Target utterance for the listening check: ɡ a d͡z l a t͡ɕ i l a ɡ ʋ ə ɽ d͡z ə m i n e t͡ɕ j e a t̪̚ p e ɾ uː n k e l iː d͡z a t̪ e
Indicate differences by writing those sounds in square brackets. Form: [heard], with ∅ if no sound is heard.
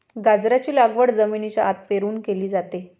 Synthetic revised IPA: ɡ a d͡z [ɾ] a t͡ɕ [iː] l a ɡ ʋ ə ɽ d͡z ə m i n [i] t͡ɕ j [a] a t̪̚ p e ɾ uː n k e l iː d͡z a t̪ e

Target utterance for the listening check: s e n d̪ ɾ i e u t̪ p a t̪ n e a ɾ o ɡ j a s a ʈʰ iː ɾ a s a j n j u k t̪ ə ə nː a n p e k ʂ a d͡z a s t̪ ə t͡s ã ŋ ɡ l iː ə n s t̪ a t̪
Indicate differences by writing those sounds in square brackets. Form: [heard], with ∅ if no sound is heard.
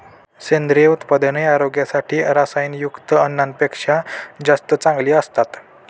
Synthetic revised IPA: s e n d̪ ɾ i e u t̪ p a [d̪] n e a ɾ o ɡ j a s a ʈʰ iː ɾ a s a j n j u k t̪ ə ə nː a n p e k ʂ a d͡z a s t̪ ə t͡s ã ŋ ɡ l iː ə [∅] s t̪ a t̪

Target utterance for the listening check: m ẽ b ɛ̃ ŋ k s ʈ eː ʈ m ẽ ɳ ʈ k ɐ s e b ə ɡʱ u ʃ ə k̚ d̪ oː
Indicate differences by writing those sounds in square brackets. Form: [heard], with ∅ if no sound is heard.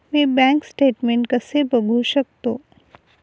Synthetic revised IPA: m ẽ b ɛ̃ ŋ k s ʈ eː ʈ m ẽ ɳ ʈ k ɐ s e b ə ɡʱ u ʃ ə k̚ [t̪] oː

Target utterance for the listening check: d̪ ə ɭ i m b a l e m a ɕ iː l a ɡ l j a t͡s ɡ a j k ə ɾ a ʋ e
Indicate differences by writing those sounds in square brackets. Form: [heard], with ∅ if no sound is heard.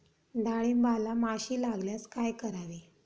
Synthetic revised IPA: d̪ [a] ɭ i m b a l [a] m a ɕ iː l a ɡ l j a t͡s [k] a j k ə ɾ a ʋ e

